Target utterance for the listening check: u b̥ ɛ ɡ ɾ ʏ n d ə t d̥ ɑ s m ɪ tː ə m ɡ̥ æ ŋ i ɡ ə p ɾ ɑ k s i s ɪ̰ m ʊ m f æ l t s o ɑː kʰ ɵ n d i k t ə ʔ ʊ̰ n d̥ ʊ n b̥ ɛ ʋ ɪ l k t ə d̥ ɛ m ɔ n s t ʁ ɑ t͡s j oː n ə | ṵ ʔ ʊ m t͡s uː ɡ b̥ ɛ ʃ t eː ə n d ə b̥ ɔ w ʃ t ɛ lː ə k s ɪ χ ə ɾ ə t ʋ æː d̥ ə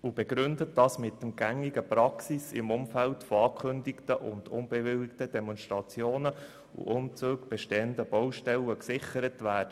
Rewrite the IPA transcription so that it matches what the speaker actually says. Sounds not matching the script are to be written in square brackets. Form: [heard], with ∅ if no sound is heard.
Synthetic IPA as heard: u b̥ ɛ ɡ ɾ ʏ n d ə t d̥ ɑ s m ɪ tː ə m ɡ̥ æ ŋ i ɡ ə p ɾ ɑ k s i s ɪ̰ m ʊ m f æ l t [f] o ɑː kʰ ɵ n d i k t ə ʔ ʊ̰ n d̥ ʊ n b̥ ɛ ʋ ɪ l k t ə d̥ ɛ m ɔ n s t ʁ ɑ t͡s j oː n ə | ṵ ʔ ʊ m t͡s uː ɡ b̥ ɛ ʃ t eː ə n d ə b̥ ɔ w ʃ t ɛ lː ə k s ɪ χ ə ɾ ə t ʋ æː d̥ ə

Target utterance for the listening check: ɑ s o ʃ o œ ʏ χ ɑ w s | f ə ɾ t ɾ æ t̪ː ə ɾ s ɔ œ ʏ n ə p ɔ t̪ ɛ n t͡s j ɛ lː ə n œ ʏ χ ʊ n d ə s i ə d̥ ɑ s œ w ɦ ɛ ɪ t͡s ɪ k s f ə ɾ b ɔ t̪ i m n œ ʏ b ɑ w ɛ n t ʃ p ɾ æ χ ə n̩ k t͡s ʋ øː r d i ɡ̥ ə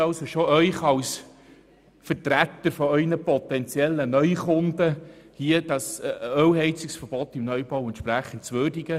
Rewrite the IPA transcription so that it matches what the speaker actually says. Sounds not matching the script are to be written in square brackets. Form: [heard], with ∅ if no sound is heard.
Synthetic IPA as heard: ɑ s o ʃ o œ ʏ χ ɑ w s | f ə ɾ t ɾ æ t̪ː ə ɾ [f] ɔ œ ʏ n ə p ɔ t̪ ɛ n t͡s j ɛ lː ə n œ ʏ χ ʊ n d ə [h] i ə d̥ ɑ s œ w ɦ ɛ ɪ t͡s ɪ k s f ə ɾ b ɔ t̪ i m n œ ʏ b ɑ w ɛ n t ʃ p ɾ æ χ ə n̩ [t] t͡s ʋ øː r d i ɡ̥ ə

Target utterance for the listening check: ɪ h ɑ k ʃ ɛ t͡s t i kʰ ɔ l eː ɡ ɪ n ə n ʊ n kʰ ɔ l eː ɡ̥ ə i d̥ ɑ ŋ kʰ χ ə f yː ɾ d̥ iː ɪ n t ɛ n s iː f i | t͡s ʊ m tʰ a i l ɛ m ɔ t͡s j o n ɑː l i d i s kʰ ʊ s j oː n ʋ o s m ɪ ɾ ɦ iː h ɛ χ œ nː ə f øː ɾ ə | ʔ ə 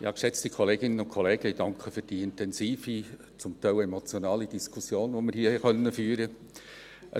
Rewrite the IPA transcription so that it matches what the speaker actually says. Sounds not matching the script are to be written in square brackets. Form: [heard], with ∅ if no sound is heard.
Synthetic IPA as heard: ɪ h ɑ k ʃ ɛ t͡s t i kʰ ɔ l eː ɡ ɪ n ə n ʊ n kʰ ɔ l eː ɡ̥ ə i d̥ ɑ ŋ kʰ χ ə f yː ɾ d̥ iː ɪ n t ɛ n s iː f i | t͡s ʊ m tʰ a [ɪ] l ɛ m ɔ t͡s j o n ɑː l i d i s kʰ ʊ s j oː n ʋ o [∅] m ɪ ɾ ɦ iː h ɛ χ œ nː ə f [yː] ɾ ə | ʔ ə

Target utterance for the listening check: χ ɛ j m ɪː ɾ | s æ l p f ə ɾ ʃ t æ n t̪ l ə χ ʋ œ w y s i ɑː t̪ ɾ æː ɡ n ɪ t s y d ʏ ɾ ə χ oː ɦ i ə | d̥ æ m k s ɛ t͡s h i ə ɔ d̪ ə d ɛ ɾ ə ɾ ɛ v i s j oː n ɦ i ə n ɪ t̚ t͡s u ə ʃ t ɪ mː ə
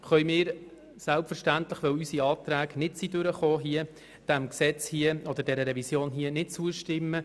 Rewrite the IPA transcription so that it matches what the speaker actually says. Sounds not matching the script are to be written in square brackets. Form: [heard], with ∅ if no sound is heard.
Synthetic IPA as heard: χ [œ] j m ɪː ɾ | s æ l p f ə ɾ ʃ t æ n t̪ l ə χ ʋ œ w y s i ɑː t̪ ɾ æː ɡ n ɪ t s [i] d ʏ ɾ ə χ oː ɦ i ə | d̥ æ m k s ɛ t͡s h i ə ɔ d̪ ə d ɛ ɾ ə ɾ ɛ v i s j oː n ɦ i ə n ɪ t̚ t͡s u ə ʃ t ɪ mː ə

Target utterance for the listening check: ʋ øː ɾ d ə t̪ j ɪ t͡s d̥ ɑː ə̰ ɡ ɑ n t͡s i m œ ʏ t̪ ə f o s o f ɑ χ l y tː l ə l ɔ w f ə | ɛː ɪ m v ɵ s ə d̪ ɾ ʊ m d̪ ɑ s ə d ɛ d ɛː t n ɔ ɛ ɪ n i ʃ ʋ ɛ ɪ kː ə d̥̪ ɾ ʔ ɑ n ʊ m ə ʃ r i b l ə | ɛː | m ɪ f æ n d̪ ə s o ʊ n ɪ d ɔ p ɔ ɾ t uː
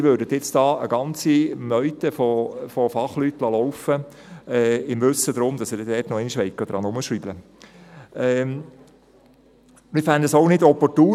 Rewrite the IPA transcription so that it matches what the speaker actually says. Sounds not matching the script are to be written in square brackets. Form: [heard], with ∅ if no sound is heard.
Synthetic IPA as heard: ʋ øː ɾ d ə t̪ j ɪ t͡s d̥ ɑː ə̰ ɡ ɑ n t͡s i m œ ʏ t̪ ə f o [f] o f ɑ χ l y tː l [ɑ] l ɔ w f ə | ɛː ɪ m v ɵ s ə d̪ ɾ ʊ m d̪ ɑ s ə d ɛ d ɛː t n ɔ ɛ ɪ n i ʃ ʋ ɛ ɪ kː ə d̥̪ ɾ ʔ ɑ n ʊ m ə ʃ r i b l ə | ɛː | m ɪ f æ n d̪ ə s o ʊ n ɪ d ɔ p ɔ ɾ t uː

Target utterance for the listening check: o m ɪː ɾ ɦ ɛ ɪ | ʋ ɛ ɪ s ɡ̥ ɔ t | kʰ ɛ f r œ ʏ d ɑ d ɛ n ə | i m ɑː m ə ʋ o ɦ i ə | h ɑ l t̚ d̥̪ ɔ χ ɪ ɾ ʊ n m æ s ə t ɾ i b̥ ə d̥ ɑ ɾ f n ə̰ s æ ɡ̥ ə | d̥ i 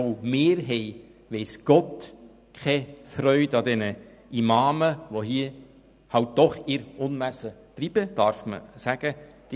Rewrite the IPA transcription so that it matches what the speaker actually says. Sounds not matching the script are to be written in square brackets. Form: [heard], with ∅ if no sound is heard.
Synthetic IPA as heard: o m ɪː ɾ ɦ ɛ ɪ | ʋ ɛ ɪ s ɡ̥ ɔ t | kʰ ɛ f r œ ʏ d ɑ d ɛ n ə | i m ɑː m ə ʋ o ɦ i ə | h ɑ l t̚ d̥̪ ɔ χ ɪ ɾ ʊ n m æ s ə t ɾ i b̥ ə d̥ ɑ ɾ f [m] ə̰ s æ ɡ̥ ə | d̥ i

